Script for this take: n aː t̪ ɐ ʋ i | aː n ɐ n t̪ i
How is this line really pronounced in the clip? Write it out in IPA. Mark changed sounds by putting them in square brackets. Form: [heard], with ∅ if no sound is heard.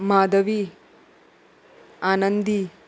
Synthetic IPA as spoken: [m] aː [d̪] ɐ ʋ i | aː n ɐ n [d̪] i